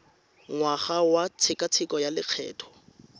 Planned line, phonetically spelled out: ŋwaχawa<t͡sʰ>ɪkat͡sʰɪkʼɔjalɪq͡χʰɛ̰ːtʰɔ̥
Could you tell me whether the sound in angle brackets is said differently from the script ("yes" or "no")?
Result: no